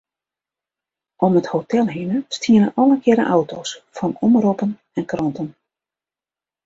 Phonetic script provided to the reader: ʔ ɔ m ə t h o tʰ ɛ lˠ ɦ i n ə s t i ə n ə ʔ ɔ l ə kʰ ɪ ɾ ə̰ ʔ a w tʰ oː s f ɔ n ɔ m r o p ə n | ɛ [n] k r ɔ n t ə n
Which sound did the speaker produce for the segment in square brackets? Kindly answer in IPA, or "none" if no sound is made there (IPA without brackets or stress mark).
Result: n